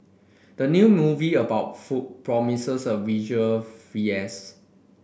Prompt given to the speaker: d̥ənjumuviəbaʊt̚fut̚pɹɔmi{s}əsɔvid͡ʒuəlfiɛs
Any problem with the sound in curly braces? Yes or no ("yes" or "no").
no